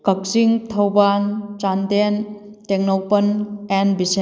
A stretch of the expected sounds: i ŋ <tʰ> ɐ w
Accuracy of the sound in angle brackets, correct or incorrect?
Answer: correct